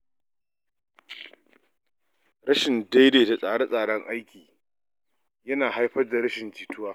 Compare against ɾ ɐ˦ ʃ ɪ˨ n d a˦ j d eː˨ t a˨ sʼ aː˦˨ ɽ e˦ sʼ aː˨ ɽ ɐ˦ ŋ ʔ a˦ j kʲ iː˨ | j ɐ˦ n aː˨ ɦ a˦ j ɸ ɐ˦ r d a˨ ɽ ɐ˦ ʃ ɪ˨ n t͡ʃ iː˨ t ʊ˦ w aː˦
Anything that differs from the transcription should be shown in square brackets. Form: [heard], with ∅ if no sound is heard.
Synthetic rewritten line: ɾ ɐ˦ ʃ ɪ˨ n d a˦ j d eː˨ t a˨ sʼ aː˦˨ ɽ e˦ sʼ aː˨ ɽ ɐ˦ ŋ ʔ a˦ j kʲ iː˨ | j ɐ˦ n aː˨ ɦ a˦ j ɸ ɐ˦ r d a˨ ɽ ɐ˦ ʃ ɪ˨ n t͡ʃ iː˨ t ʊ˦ w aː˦